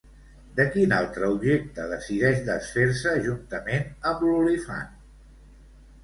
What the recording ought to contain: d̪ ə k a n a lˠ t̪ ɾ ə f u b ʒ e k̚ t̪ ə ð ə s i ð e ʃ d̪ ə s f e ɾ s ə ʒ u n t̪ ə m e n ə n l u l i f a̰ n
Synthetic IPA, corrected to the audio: d̪ ə k i n a lˠ t̪ ɾ ə u b ʒ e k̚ t̪ ə ð ə s i ð ɛ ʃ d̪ ə s f e ɾ s ə ʒ u n t̪ ə m e n ə m l u l i f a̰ n